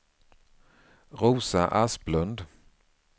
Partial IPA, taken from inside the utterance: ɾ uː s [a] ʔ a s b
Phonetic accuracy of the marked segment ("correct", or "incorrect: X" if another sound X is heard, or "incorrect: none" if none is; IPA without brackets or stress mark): correct